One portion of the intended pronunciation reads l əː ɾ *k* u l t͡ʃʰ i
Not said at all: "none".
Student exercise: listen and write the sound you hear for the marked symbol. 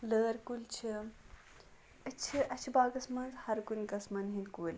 k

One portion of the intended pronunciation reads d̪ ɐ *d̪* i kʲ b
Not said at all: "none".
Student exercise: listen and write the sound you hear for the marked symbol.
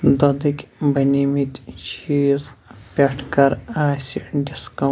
d̪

